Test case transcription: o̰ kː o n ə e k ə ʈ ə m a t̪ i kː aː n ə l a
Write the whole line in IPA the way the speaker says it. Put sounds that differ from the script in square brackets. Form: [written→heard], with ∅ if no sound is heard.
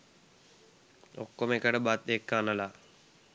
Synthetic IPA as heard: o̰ kː o [n→m] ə e k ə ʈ ə [m→b] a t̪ [i→e] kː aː n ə l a